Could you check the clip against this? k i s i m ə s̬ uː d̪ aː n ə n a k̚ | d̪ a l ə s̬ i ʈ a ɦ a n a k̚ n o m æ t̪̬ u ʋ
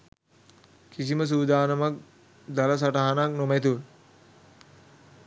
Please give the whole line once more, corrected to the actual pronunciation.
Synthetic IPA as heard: k i s i m ə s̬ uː d̪ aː n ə m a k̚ | d̪ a l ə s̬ a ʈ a ɦ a n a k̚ n o m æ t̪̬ u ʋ